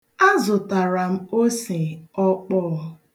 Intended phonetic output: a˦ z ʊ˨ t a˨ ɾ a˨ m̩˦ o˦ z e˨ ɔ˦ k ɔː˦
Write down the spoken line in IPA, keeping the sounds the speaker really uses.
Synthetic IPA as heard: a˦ z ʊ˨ t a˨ ɾ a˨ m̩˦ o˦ s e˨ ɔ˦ k͡p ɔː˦